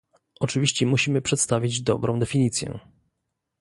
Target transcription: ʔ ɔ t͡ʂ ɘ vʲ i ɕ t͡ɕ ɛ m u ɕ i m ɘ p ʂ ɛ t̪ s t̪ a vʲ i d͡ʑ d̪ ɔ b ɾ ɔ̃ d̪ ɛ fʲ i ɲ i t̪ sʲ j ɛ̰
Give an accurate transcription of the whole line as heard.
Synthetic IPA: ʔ ɔ t͡ʂ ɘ vʲ i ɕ t͡ɕ ɛ m u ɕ i m ɘ p ʂ ɛ t̪ s t̪ a vʲ i d͡ʑ d̪ ɔ b ɾ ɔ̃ d̪ ɛ fʲ i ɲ i t̪ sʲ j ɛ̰